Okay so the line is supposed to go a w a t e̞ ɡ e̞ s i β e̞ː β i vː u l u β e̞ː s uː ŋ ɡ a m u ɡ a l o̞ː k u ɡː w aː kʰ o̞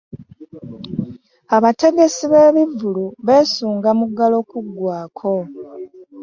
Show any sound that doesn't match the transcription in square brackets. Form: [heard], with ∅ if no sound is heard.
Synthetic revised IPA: a [β] a t e̞ ɡ e̞ s i β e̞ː β i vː u l u β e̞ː s uː ŋ ɡ a m u ɡ a l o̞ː k u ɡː w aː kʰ o̞